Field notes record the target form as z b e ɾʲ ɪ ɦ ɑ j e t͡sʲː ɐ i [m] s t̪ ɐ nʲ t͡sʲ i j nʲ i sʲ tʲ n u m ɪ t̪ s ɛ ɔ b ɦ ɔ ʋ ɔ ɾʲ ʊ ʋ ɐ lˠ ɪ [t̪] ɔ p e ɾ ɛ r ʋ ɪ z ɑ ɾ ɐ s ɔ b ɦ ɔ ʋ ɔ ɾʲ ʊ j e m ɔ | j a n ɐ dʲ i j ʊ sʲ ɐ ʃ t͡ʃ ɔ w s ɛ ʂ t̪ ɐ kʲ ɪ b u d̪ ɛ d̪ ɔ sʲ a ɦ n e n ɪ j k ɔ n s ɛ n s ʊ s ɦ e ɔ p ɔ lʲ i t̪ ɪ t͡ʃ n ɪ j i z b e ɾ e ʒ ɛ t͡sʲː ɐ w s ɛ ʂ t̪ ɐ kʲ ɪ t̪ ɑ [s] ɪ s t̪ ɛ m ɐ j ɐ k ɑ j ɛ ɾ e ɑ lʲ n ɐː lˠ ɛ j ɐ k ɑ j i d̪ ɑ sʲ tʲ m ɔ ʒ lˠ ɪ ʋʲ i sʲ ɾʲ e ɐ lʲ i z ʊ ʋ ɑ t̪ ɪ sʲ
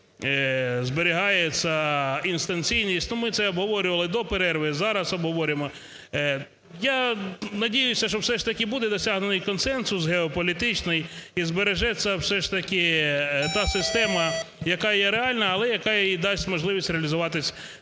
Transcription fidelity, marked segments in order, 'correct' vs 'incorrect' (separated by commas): incorrect, incorrect, correct